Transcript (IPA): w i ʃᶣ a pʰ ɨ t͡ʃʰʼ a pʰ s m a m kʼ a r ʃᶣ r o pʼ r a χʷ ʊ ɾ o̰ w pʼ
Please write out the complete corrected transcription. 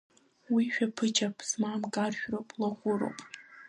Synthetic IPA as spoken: w i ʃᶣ a pʰ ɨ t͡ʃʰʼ a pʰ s m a m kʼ a r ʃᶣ r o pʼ l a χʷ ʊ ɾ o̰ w pʼ